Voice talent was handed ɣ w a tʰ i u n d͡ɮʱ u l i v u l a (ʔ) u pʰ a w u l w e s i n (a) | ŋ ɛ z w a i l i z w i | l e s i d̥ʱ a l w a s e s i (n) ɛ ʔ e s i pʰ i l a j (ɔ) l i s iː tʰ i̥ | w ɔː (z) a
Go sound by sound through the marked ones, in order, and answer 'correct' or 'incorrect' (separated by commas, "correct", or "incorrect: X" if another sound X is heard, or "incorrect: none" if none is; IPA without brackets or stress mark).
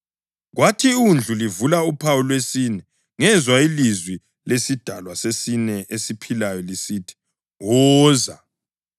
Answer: incorrect: none, incorrect: ɛ, correct, correct, correct